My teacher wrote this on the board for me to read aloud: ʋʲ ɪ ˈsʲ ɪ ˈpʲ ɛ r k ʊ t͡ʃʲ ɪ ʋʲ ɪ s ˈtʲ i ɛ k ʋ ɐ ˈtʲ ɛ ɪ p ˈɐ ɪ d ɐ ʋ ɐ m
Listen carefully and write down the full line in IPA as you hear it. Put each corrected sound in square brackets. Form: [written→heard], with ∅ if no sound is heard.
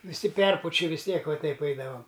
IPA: ʋʲ ɪ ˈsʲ ɪ ˈpʲ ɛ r [k→p] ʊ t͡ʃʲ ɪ ʋʲ ɪ s ˈtʲ i ɛ k ʋ ɐ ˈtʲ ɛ ɪ p ˈɐ ɪ d ɐ ʋ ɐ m